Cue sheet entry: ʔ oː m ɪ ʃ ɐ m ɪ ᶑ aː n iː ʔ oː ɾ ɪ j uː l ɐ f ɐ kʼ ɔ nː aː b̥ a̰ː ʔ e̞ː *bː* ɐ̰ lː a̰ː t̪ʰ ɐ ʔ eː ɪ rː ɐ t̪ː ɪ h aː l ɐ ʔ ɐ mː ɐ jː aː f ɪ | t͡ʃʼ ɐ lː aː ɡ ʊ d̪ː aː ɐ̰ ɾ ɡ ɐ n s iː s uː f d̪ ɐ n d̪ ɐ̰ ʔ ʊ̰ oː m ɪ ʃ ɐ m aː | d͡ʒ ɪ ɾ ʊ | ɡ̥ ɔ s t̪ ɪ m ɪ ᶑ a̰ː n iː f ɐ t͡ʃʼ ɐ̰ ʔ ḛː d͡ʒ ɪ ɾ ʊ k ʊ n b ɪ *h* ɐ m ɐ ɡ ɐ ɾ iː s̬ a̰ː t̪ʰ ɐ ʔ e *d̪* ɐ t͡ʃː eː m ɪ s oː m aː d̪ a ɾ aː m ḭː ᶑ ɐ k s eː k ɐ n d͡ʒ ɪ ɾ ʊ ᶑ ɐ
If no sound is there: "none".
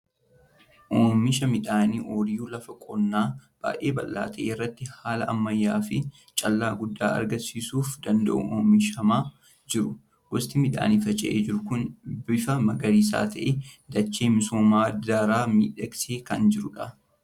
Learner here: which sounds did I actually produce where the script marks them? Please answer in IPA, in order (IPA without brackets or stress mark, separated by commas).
b, f, d̪